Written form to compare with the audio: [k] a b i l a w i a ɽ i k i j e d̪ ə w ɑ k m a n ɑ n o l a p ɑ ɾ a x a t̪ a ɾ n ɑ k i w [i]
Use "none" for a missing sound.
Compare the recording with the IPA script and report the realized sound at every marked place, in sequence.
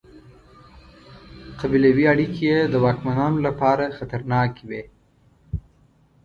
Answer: q, e

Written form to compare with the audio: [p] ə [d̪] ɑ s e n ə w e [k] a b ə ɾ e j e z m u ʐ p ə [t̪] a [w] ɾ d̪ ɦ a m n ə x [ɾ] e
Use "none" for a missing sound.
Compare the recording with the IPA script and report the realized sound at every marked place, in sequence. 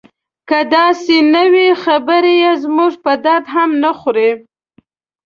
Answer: k, d̪, x, d̪, none, ɾ

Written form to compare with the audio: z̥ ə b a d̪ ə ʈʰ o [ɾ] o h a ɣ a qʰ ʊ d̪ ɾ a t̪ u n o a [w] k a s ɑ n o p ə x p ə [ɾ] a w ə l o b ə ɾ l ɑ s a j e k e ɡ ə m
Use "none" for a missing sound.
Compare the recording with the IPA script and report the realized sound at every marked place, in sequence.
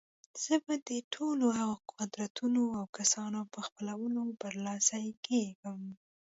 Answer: l, w, l

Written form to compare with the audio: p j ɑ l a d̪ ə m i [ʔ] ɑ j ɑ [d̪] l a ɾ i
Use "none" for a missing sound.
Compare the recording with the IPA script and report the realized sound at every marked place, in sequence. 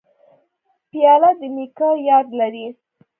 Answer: k, d̪

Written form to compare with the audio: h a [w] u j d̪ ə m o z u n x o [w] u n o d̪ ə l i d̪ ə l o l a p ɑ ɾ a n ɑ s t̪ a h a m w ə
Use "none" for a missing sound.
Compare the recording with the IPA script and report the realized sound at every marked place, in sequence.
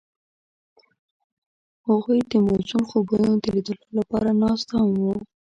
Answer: ɣ, b

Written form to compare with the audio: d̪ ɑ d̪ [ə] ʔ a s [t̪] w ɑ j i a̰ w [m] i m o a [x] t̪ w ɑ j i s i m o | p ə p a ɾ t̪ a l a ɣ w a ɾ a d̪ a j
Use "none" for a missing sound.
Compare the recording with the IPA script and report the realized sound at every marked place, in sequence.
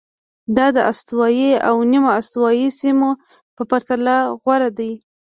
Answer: ə, t̪, n, s

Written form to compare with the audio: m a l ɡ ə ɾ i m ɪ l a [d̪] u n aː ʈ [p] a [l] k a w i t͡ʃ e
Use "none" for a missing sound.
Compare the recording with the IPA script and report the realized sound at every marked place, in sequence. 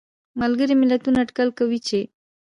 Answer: t̪, k, l

